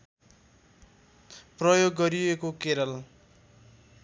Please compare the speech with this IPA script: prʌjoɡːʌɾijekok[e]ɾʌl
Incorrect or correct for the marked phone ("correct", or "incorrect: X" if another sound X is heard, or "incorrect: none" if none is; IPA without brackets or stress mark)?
correct